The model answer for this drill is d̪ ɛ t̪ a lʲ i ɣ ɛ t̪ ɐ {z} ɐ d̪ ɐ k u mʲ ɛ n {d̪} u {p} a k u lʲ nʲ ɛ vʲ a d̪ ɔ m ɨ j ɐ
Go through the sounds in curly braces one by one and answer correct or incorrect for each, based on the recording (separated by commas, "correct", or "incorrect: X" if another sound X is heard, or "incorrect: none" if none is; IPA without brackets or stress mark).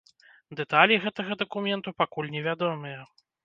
incorrect: ɣ, incorrect: t̪, correct